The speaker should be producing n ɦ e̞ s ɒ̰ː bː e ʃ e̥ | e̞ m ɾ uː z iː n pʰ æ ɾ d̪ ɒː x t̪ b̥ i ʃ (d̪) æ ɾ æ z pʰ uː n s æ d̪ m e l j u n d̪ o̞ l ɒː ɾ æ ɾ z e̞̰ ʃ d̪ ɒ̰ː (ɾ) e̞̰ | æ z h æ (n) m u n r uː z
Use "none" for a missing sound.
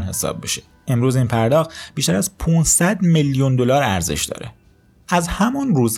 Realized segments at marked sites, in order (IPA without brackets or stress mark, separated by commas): t̪, ɾ, none